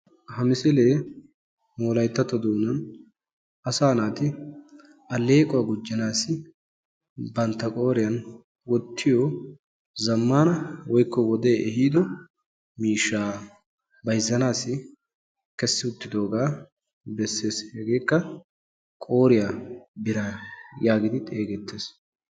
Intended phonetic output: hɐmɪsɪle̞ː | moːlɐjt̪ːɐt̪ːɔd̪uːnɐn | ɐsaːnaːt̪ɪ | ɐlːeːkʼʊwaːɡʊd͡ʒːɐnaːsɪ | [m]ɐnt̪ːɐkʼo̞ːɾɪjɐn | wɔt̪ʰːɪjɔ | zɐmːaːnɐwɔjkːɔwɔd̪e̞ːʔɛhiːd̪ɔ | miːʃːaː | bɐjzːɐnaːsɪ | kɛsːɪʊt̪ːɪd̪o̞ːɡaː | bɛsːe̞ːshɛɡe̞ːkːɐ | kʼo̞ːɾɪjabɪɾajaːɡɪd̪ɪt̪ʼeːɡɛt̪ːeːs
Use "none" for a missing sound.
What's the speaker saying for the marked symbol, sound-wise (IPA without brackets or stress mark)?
b